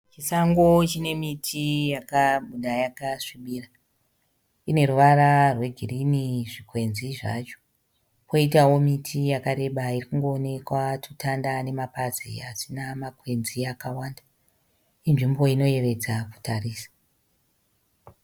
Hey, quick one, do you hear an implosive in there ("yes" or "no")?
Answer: yes